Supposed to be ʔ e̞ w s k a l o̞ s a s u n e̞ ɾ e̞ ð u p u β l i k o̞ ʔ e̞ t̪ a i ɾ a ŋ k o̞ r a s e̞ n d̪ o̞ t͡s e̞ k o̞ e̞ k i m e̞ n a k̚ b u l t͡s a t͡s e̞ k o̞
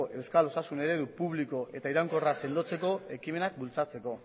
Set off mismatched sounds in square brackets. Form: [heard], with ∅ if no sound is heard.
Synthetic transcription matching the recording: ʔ e̞ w s k a l o̞ s a s u n e̞ ɾ e̞ ð u p u β l i k o̞ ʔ e̞ t̪ a i ɾ a ŋ k o̞ r a s e̞ n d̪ o̞ t͡s e̞ k o̞ e̞ k i m e̞ n a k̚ b u l t͡s a t͡s e̞ k o̞